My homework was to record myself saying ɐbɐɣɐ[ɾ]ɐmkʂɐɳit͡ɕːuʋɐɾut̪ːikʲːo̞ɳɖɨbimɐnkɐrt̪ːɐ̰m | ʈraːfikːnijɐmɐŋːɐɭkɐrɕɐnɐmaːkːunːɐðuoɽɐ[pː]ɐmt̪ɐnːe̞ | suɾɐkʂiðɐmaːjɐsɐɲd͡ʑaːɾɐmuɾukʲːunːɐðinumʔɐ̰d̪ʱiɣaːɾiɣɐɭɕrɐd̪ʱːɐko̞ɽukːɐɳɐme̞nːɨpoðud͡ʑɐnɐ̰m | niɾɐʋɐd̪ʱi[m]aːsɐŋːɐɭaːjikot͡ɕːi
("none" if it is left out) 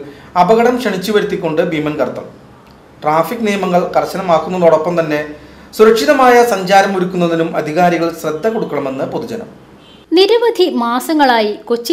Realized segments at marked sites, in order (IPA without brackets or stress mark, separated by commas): ɽ, pː, m